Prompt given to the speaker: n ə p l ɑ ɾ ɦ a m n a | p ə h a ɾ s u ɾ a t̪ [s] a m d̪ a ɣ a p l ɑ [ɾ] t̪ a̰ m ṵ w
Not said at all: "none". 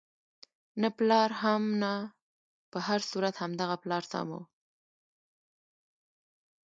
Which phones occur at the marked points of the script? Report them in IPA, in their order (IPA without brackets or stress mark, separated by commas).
h, ɾ